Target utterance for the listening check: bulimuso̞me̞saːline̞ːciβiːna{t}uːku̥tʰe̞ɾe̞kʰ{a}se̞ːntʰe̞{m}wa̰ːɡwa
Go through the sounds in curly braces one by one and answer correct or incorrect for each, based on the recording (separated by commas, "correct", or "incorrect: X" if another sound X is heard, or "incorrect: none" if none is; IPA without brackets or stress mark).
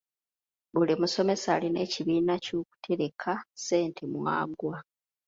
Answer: incorrect: c, correct, correct